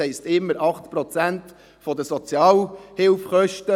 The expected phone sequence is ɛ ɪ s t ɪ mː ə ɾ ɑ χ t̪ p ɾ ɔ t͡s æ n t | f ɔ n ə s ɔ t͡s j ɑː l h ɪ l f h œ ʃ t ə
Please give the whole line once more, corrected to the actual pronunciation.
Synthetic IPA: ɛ ɪ s t ɪ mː ə ɾ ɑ χ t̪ p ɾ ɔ t͡s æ n t | f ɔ d ə s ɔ t͡s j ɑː l h ɪ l f χ œ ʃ t ə